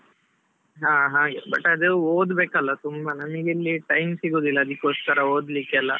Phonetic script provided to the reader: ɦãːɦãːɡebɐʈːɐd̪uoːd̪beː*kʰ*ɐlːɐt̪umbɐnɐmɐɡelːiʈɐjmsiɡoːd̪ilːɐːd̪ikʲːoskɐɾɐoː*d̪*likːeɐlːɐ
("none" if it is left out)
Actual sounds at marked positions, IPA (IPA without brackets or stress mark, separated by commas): k, d̪